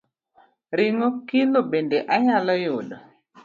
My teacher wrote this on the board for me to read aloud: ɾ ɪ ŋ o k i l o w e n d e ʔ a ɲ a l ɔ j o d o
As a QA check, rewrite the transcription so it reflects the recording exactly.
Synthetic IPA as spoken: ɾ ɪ ŋ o k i l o b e n d e ʔ a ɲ a l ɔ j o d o

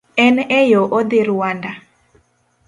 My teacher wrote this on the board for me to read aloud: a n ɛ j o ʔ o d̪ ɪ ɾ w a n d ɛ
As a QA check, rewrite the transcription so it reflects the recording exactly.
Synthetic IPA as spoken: ɛ n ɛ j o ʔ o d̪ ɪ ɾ w a n d a

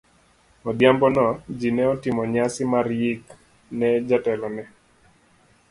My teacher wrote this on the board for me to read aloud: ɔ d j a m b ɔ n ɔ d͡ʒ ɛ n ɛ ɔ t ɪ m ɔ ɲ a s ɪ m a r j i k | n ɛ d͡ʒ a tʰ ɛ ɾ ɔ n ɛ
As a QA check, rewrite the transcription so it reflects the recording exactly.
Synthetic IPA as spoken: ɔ d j a m b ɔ n ɔ d͡ʒ i n ɛ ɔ t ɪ m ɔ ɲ a s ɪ m a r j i k | n ɛ d͡ʒ a t ɛ l ɔ n ɛ

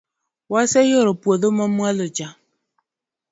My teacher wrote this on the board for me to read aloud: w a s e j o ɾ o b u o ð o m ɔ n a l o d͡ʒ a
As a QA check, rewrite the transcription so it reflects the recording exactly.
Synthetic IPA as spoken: w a s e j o ɾ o p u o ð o m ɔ m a l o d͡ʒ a

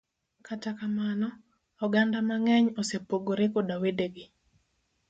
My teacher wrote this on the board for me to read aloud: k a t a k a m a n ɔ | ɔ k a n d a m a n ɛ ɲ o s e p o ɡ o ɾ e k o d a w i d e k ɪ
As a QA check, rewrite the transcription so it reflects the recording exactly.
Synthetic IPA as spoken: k a t a k a m a n ɔ | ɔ ɡ a n d a m a ŋ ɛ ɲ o s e p o ɡ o ɾ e k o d a w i d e ɡ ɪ

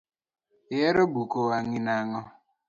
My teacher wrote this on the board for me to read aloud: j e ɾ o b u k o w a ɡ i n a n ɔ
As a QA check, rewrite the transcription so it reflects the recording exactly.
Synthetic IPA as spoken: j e ɾ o b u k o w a ŋ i n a ŋ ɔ

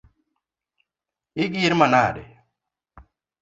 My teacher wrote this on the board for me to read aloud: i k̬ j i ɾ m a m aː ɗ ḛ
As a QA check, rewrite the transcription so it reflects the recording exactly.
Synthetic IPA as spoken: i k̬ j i ɾ m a n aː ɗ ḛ

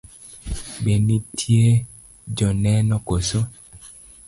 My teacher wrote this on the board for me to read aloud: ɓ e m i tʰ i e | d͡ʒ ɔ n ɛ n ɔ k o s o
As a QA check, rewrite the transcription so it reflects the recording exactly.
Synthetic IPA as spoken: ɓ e n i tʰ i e | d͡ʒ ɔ n ɛ n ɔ k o s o

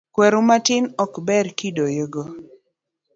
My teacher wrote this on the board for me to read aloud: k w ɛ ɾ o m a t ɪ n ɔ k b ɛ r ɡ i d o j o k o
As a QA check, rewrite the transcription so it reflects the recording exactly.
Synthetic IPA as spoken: k w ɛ ɾ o m a t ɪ n ɔ k b ɛ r k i d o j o ɡ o

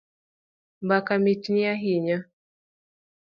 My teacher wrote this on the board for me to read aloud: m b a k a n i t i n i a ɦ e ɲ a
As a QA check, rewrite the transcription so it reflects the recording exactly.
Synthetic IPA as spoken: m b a k a m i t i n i a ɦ i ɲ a

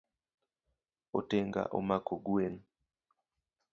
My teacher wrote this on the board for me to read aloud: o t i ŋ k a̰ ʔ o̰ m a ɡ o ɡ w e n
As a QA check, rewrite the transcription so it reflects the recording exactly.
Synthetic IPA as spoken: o t e ŋ ɡ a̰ ʔ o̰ m a k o ɡ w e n

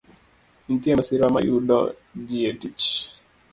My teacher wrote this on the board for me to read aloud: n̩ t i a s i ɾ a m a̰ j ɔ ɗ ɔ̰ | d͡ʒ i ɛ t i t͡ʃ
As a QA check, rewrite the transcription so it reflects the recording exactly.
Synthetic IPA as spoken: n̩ t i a s i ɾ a m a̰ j u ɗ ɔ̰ | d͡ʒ i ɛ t i t͡ʃ

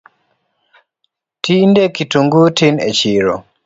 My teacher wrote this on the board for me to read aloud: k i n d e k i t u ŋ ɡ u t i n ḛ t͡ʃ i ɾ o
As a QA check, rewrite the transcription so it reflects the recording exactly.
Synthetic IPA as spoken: t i n d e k i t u ŋ ɡ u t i n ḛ t͡ʃ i ɾ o

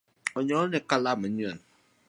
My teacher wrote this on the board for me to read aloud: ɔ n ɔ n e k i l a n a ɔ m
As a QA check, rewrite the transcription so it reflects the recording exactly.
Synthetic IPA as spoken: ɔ ɲ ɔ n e k a l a m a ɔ n

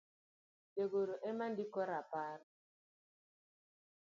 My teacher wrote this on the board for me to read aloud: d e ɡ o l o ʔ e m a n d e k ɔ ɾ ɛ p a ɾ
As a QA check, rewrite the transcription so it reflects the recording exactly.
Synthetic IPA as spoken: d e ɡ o ɾ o ʔ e m a n d i k ɔ ɾ a p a ɾ

